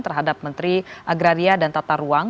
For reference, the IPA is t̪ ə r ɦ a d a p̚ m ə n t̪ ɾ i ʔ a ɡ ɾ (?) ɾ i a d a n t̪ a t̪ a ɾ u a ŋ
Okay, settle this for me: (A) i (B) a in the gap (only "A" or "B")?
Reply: B